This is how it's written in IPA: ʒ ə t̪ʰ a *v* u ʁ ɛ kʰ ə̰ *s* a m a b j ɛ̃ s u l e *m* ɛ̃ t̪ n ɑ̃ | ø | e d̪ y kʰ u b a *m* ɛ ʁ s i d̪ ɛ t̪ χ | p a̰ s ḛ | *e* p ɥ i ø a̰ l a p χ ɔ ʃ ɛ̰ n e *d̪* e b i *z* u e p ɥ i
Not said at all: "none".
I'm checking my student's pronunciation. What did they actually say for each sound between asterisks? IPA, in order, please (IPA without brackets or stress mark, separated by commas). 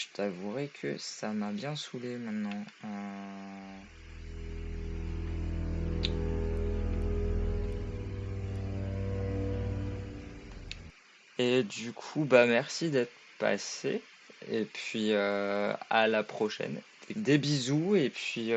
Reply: v, s, m, m, e, d̪, z